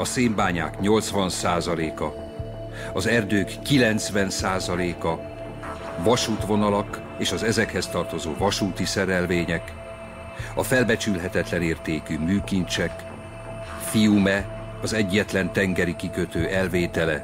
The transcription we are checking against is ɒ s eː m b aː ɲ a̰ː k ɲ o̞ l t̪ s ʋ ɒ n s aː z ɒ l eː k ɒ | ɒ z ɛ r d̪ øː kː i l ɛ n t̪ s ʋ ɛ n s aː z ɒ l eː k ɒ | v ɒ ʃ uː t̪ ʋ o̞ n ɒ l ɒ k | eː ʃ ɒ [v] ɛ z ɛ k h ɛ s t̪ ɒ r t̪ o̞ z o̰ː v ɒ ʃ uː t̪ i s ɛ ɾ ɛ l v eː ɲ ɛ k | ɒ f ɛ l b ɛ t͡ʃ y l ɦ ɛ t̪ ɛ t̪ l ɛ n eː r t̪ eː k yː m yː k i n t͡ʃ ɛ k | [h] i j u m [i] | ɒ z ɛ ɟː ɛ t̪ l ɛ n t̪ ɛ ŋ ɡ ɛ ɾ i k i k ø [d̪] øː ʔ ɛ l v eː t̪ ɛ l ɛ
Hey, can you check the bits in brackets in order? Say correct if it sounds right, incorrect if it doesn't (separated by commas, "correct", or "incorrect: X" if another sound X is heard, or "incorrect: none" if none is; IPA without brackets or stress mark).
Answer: incorrect: z, incorrect: f, incorrect: ɛ, incorrect: t̪